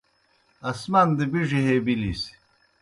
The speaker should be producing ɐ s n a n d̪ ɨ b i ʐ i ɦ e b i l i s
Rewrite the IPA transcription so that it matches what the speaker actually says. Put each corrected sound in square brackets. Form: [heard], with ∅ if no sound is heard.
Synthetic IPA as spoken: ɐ s [m] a n d̪ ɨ b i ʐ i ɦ e b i l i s